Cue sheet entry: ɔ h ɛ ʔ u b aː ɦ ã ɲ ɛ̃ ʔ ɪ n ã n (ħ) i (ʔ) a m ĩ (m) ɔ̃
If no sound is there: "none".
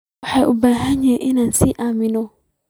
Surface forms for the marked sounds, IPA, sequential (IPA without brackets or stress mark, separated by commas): s, ʔ, n